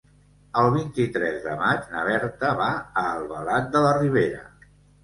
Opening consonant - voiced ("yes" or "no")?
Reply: yes